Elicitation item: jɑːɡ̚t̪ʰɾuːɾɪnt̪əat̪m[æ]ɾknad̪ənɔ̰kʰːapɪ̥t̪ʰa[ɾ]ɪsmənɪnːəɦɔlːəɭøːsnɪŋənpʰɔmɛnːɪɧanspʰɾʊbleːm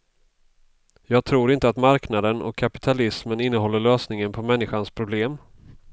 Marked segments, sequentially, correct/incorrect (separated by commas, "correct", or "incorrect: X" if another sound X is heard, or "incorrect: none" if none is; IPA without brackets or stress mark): incorrect: a, incorrect: l